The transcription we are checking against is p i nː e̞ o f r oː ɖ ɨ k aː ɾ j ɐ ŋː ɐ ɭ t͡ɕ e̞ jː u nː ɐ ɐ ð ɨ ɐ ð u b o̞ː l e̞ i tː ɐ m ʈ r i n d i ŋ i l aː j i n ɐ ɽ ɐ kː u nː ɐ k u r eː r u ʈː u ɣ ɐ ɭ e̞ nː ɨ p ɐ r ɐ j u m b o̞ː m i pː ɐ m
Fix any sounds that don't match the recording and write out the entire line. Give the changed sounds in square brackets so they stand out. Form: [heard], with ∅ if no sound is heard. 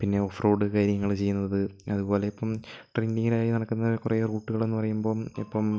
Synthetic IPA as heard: p i nː e̞ o f r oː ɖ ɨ k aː ɾ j ɐ ŋː ɐ ɭ t͡ɕ e̞ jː u nː ɐ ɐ ð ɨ ɐ ð u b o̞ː l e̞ i [pː] ɐ m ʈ r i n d i ŋ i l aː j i n ɐ ɽ ɐ kː u nː ɐ k u r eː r [uː] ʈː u ɣ ɐ ɭ e̞ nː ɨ p ɐ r ɐ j u m b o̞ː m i pː ɐ m